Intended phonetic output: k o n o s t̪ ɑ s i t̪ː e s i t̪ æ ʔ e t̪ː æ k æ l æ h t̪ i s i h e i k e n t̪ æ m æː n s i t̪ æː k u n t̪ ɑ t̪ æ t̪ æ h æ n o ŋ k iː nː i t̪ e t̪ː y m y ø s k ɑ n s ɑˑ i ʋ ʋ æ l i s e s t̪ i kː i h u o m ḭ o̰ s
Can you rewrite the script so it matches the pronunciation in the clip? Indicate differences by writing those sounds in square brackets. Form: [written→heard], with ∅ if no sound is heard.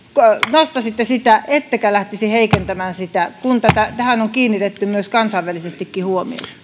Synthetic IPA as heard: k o n o s t̪ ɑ s i t̪ː e s i t̪ æ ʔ e t̪ː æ k æ l æ h t̪ i s i h e i k e n t̪ æ m æː n s i t̪ [æː→æ] k u n t̪ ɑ t̪ æ t̪ æ h æ n o ŋ k iː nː i t̪ e t̪ː y m y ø s k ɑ n s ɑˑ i ʋ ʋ æ l i s e s t̪ i kː i h u o m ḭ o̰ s